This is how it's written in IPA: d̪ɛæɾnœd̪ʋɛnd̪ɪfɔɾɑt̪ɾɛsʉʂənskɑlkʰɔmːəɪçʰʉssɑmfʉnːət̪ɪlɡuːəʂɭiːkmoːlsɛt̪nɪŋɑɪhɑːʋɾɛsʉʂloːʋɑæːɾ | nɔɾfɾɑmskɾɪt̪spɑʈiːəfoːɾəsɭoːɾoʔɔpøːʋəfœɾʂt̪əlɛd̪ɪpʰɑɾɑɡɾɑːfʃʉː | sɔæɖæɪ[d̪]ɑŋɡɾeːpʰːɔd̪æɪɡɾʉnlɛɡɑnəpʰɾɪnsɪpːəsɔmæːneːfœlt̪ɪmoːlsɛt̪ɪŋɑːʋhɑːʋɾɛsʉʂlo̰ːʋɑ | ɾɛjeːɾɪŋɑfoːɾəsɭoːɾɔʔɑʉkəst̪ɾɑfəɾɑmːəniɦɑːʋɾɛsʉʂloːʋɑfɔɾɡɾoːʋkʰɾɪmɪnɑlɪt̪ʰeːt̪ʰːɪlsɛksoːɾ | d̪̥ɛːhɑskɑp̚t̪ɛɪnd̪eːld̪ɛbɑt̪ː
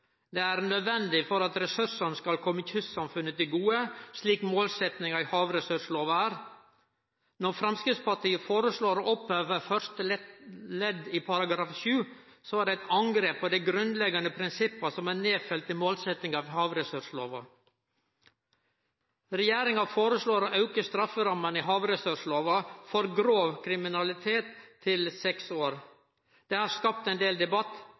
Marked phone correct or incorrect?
incorrect